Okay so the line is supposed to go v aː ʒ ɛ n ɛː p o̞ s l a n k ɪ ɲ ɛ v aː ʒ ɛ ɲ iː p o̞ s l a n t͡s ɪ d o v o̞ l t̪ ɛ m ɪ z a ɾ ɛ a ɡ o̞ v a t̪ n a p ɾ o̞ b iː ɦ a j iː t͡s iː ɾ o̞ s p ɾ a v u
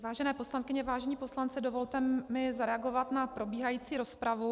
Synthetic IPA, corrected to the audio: v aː ʒ ɛ n ɛː p o̞ s l a n k ɪ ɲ ɛ v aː ʒ ɛ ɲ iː p o̞ s l a n t͡s ɪ d o v o̞ l t̪ ɛ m ɪ z a ɾ ɛ a ɡ o̞ v a t̪ n a p ɾ o̞ b iː ɦ a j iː t͡s iː ɾ o̞ s p ɾ a v u